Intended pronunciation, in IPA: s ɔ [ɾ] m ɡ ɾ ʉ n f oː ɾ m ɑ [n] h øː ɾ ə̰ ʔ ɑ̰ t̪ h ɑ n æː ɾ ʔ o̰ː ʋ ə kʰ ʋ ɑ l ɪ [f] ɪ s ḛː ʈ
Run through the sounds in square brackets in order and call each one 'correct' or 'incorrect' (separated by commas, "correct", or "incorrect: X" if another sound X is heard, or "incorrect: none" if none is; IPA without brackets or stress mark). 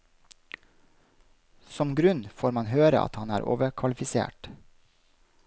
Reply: incorrect: none, correct, correct